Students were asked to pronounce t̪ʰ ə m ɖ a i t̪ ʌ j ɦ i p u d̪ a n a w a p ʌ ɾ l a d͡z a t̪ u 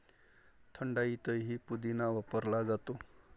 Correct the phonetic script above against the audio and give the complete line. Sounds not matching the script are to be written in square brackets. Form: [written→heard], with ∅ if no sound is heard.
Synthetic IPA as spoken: t̪ʰ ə [m→ɳ] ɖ a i t̪ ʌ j ɦ i p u d̪ [a→i] n a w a p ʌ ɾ l a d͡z a t̪ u